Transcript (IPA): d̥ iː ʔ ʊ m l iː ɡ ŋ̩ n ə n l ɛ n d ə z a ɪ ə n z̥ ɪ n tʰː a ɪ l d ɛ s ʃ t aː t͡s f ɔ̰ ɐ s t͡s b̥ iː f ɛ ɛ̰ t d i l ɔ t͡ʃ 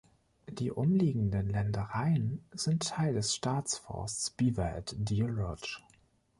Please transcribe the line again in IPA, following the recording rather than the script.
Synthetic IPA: d̥ iː ʔ ʊ m l iː ɡ ŋ̩ d ə n l ɛ n d ə ʁ a ɪ ə n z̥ ɪ n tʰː a ɪ l d ɛ s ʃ t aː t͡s f ɔ̰ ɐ s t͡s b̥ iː v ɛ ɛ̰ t d i l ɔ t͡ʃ

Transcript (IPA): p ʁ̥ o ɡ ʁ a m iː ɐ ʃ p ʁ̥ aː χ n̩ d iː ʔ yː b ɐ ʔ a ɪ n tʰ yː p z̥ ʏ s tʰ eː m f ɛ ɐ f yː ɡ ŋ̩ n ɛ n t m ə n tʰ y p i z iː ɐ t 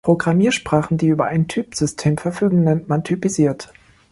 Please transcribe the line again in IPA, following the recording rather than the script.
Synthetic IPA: p ʁ̥ o ɡ ʁ a m iː ɐ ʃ p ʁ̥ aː χ n̩ d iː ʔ yː b ɐ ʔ a ɪ n tʰ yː p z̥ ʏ s tʰ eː m f ɛ ɐ f yː ɡ ŋ̩ n ɛ n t m a n tʰ y p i z iː ɐ t

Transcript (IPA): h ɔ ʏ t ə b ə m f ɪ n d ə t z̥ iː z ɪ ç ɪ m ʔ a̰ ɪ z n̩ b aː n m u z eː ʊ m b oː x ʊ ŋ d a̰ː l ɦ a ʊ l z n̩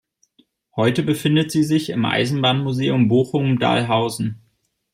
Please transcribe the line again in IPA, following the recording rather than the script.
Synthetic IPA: h ɔ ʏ t ə b ə f ɪ n d ə t z̥ iː z ɪ ç ɪ m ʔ a̰ ɪ z n̩ b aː n m u z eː ʊ m b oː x ʊ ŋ d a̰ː l ɦ a ʊ z n̩

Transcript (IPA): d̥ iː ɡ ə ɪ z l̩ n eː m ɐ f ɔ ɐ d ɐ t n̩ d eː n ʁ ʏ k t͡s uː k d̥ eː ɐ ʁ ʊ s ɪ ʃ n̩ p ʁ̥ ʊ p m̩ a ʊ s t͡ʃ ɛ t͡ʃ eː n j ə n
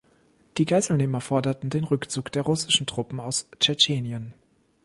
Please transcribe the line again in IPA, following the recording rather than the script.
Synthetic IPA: d̥ iː ɡ a ɪ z l̩ n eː m ɐ f ɔ ɐ d ɐ t n̩ d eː n ʁ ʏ k t͡s uː k d̥ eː ɐ ʁ ʊ s ɪ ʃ n̩ t ʁ̥ ʊ p m̩ a ʊ s t͡ʃ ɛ t͡ʃ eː n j ə n

